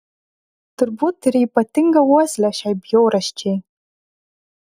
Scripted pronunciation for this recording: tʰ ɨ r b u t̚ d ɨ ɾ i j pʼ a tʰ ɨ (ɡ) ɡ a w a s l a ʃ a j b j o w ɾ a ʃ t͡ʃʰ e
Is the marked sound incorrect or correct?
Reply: incorrect